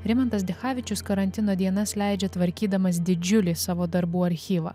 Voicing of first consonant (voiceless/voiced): voiced